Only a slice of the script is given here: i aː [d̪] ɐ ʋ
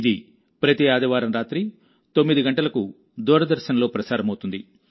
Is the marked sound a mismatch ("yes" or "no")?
no